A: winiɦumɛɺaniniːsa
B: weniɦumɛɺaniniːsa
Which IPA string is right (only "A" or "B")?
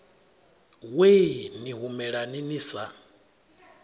B